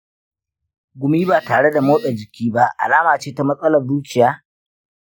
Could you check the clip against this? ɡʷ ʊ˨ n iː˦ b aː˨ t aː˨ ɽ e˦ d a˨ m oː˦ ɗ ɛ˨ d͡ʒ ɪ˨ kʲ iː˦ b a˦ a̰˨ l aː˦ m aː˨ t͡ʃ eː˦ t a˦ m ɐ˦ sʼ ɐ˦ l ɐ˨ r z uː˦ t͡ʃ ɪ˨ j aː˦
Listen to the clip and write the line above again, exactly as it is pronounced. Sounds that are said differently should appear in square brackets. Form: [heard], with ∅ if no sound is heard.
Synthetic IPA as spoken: ɡʷ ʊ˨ [m] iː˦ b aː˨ t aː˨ ɽ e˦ d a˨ m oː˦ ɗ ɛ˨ d͡ʒ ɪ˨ kʲ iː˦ b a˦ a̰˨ l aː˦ m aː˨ t͡ʃ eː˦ t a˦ m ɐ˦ sʼ ɐ˦ l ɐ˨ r z uː˦ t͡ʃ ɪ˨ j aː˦